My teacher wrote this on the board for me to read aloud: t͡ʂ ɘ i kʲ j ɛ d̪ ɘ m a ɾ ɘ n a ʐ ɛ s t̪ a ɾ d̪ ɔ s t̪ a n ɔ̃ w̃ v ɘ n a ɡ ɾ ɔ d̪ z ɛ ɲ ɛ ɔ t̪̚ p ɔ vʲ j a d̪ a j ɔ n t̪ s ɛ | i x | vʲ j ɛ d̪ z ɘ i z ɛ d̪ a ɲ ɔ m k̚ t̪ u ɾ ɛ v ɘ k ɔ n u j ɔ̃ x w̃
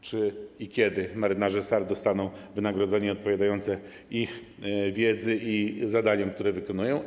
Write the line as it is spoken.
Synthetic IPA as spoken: t͡ʂ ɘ i kʲ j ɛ d̪ ɘ m a ɾ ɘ n a ʐ ɛ s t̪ a ɾ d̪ ɔ s t̪ a n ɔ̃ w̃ v ɘ n a ɡ ɾ ɔ d̪ z ɛ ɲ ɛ ɔ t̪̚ p ɔ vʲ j a d̪ a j ɔ n t̪ s ɛ | i x | vʲ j ɛ d̪ z ɘ i z a d̪ a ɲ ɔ m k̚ t̪ u ɾ ɛ v ɘ k ɔ n u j ɔ̃ w̃